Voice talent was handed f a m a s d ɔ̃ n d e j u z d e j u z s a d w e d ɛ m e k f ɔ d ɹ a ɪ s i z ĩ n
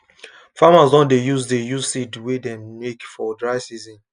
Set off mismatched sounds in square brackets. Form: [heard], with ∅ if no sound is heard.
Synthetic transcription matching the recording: f a m a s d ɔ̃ n d e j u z d e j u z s [i] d w e d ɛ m e k f ɔ d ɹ a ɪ s i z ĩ n

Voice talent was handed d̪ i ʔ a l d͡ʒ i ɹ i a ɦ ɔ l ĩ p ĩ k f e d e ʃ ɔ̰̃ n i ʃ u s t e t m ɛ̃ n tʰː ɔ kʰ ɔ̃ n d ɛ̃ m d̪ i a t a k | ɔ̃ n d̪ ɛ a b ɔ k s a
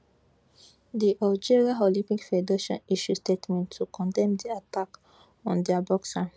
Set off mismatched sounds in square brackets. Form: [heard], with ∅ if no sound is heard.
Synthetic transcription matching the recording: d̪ i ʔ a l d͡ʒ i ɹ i a ɦ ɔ l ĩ p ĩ k f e d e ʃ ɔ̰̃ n i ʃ u s t e t m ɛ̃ n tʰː [u] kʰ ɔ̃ n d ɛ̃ m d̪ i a t a k | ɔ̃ n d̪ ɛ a b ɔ k s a

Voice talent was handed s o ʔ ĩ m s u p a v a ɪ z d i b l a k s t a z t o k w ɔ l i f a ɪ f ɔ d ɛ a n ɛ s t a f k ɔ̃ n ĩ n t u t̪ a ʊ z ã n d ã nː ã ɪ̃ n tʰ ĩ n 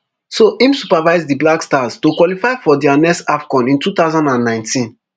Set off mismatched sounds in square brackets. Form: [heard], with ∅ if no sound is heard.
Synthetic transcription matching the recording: s o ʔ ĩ m s u p a v a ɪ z d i b l a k s t a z t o k w ɔ l i f a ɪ f ɔ d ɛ a n ɛ s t a f k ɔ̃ n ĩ n t u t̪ a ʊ z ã n d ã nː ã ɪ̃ n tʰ ĩ n

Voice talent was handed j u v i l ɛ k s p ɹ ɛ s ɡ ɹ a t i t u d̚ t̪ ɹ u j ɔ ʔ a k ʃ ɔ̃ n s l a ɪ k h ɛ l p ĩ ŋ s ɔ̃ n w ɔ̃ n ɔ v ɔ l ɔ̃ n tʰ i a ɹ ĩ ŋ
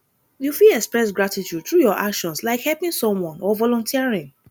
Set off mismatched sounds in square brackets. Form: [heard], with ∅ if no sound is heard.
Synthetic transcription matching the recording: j u [f] i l ɛ k s p ɹ ɛ s ɡ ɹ a t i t u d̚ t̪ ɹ u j ɔ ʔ a k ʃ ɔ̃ n s l a ɪ k h ɛ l p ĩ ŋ s ɔ̃ [m] w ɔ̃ n ɔ v ɔ l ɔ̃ n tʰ i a ɹ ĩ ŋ

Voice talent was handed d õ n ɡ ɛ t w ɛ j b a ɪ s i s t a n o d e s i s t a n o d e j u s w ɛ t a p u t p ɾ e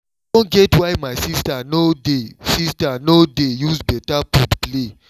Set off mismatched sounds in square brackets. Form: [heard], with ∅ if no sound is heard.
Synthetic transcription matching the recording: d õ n ɡ ɛ t w [a] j [m] a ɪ s i s t a n o d e s i s t a n o d e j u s [b] ɛ t a p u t p [l] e

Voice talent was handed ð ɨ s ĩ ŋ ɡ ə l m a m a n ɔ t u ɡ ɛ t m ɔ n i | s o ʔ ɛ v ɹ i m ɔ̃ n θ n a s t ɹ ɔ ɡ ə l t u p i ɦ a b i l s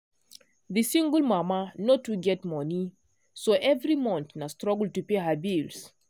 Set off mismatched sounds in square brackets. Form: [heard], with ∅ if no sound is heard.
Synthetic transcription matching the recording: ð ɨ s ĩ ŋ ɡ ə l m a m a n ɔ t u ɡ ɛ t m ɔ n i | s o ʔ ɛ v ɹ i m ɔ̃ n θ n a s t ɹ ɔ ɡ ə l t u p [e] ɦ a b i l s

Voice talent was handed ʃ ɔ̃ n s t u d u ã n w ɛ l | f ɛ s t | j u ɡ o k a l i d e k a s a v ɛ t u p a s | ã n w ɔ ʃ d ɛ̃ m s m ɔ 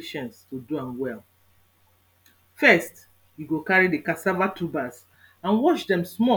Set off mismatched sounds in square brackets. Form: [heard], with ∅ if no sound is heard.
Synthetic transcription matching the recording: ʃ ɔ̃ n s t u d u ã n w ɛ l | f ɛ s t | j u ɡ o k a [ɹ] i d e k a s a v [a] t u [b] a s | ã n w ɔ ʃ d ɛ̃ m s m ɔ

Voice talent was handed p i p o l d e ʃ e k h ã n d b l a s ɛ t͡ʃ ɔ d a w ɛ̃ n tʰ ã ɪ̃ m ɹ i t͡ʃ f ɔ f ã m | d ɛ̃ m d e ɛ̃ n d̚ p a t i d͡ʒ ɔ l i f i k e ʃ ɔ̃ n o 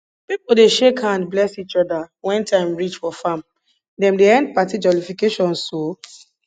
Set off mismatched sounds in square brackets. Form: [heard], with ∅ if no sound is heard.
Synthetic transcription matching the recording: p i p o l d e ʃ e k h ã n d b l [ɛ] s [i] t͡ʃ ɔ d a w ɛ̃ n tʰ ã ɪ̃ m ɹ i t͡ʃ f ɔ f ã m | d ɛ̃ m d e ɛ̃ n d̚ p a t i d͡ʒ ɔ l i f i k e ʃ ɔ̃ n o

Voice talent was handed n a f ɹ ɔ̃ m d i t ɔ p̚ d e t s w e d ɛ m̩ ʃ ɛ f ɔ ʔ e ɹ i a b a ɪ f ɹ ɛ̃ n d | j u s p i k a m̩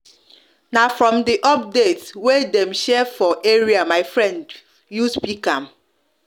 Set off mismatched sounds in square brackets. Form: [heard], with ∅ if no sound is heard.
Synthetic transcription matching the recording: n a f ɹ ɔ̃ m d i [ʔ] ɔ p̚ d e t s w e d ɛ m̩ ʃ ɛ f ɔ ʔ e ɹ i a [m] a ɪ f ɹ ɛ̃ n d | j u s p i k a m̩

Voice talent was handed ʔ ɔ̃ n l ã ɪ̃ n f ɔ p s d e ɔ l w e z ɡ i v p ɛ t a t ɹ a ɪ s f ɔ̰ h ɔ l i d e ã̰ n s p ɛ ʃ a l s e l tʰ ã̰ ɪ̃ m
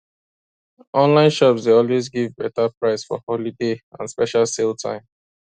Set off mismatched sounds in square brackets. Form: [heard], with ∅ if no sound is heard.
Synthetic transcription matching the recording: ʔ ɔ̃ n l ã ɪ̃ n [ʃ] ɔ p s d e ɔ l w e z ɡ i v [b] ɛ t a [p] ɹ a ɪ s f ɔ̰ h ɔ l i d e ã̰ n s p ɛ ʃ a l s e l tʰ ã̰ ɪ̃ m

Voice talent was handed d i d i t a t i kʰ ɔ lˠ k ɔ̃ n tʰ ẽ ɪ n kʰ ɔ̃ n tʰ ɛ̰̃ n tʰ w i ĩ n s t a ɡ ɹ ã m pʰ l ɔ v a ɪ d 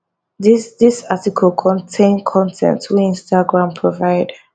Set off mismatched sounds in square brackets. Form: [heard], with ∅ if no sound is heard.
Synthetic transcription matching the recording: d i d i [s] a t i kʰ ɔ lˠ [kʰ] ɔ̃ n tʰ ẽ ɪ n kʰ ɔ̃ n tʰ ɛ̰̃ n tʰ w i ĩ n s t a ɡ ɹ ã m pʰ [ɹ] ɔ v a ɪ d

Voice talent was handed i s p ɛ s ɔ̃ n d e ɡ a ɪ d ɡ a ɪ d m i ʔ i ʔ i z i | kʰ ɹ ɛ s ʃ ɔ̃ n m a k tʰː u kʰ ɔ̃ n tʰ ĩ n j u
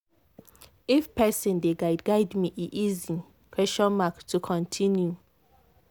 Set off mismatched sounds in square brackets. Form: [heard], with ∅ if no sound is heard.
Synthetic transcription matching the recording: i [f] p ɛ s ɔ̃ n d e ɡ a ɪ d ɡ a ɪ d m i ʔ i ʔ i z i | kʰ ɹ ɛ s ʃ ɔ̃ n m a k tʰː u kʰ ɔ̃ n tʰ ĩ n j u

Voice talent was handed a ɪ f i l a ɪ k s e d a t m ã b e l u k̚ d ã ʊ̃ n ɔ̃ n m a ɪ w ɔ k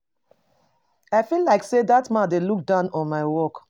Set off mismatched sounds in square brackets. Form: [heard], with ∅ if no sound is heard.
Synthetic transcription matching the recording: a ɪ f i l a ɪ k s e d a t m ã [d] e l u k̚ d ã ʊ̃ n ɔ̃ n m a ɪ w ɔ k

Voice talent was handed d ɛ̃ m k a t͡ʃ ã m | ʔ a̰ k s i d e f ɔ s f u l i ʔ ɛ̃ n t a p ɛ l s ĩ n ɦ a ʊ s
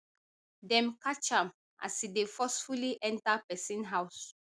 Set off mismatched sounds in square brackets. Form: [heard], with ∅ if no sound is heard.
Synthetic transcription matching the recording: d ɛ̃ m k a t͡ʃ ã m | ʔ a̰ [∅] s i d e f ɔ s f u l i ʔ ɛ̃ n t a p ɛ [∅] s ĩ n ɦ a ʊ s

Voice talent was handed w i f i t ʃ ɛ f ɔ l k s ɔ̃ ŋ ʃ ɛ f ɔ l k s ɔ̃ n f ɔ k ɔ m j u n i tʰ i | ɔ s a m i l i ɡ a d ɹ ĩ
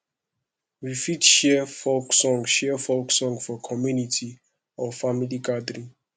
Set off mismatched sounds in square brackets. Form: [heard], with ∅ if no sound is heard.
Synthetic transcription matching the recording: w i f i t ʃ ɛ f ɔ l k s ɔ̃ ŋ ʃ ɛ f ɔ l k s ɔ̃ [ŋ] f ɔ [kʰ] ɔ m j u n i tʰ i | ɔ [f] a m i l i ɡ a d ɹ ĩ

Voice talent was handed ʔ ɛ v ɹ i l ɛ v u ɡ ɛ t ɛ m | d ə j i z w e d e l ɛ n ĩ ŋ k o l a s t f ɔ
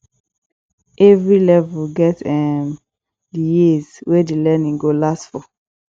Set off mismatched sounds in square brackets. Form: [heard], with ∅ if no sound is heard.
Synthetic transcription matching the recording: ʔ ɛ v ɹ i l ɛ v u ɡ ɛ t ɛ m | d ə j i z w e d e l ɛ n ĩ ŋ [ɡ] o l a s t f ɔ

